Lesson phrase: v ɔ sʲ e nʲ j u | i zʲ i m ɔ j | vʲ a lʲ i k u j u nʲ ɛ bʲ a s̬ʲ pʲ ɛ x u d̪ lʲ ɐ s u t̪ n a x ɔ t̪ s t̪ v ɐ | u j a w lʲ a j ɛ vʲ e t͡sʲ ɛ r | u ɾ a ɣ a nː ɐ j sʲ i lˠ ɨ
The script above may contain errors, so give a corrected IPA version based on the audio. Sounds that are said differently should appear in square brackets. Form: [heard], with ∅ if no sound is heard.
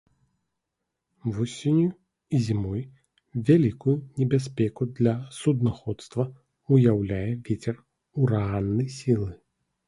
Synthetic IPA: v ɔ sʲ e nʲ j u | i zʲ i m ɔ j | vʲ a lʲ i k u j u nʲ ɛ bʲ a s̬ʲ pʲ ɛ [k] u d̪ lʲ ɐ s u [d̪] n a x ɔ t̪ s t̪ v ɐ | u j a w lʲ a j ɛ vʲ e t͡sʲ ɛ r | u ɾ a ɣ a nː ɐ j sʲ i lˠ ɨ